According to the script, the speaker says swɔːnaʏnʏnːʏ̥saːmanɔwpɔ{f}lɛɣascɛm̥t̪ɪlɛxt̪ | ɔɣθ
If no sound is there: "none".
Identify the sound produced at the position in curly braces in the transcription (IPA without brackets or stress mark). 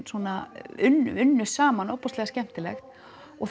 s